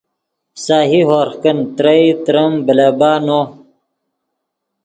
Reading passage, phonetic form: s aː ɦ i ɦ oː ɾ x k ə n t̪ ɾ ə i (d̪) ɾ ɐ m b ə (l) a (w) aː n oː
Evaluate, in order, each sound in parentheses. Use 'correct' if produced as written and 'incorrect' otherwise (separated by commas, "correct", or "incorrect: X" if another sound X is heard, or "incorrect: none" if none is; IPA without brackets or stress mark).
incorrect: t̪, correct, incorrect: b